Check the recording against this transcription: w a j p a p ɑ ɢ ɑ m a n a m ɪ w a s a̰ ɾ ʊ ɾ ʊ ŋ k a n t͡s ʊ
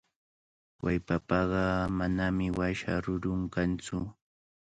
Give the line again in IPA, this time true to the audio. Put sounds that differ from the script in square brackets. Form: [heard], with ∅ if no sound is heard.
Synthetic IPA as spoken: w a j p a p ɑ ɢ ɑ m a n a m ɪ w a [ʃ] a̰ ɾ ʊ ɾ ʊ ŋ k a n t͡s ʊ